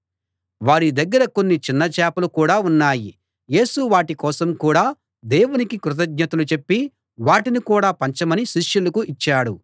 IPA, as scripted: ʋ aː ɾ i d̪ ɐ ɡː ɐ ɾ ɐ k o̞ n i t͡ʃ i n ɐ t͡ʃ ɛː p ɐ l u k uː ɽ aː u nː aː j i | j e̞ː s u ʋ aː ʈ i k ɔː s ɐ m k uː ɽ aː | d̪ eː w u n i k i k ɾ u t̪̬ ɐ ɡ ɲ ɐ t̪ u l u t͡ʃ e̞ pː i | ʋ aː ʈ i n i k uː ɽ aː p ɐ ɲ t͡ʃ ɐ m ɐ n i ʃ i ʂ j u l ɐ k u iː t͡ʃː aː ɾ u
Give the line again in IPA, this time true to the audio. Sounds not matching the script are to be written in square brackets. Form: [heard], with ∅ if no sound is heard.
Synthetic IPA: ʋ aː ɾ i d̪ ɐ ɡː ɐ ɾ ɐ k o̞ [nː] i t͡ʃ i [nː] ɐ t͡ʃ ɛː p ɐ l u k uː ɽ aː u nː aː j i | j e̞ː s u ʋ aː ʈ i k ɔː s ɐ m k uː ɽ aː | d̪ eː w u n i k i k ɾ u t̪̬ ɐ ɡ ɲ ɐ t̪ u l u t͡ʃ e̞ pː i | ʋ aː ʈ i n i k uː ɽ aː p ɐ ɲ t͡ʃ ɐ m ɐ n i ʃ i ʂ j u l ɐ k u [i] t͡ʃː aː [ɽ] u